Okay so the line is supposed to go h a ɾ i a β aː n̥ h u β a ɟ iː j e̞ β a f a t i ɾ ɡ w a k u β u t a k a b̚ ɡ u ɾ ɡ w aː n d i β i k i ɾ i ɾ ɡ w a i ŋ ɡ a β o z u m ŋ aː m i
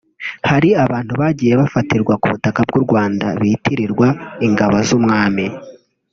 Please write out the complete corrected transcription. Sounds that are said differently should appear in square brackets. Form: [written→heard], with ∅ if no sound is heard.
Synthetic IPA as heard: h a ɾ i a β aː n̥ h u β a ɟ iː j e̞ β a f a t i ɾ ɡ w a k u β u t a k a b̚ ɡ u ɾ ɡ w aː n d [i→a] β i [k→t] i ɾ i ɾ ɡ w a i ŋ ɡ a β o z u m ŋ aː m i